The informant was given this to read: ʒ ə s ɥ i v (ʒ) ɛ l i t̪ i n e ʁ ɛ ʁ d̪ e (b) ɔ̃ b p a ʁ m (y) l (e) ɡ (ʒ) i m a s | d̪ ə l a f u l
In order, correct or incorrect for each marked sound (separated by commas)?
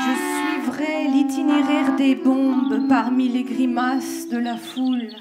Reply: incorrect, correct, incorrect, correct, incorrect